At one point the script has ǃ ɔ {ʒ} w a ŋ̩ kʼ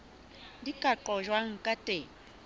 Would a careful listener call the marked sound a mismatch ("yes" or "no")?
no